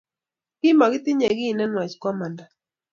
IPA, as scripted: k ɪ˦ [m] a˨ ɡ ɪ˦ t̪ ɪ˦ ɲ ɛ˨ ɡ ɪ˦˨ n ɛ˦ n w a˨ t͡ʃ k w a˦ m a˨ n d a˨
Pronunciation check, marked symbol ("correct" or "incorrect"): correct